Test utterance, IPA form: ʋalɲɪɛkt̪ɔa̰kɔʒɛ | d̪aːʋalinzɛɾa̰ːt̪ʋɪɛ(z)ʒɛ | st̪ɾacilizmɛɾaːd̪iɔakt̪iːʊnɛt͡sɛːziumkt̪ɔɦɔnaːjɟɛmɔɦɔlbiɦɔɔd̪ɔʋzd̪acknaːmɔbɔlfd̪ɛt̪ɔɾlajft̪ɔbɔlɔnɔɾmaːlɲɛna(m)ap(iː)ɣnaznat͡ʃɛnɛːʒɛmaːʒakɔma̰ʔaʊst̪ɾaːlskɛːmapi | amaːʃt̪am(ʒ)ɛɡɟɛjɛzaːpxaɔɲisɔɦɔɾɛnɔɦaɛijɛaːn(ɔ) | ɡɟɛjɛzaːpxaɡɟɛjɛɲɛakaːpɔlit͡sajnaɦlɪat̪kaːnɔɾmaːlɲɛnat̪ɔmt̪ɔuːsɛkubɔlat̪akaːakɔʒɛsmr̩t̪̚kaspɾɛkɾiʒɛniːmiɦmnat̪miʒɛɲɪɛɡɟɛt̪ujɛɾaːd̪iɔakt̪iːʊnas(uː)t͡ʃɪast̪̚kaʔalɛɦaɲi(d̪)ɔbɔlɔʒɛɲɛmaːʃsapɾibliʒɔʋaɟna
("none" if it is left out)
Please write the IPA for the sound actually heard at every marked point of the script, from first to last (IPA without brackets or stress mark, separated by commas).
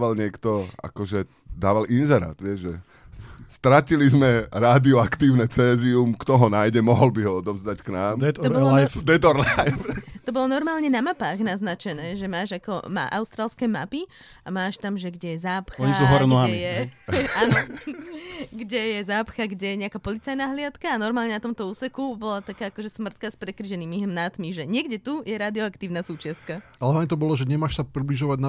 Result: ʒ, m, aː, ʒ, ɔ, uː, t̪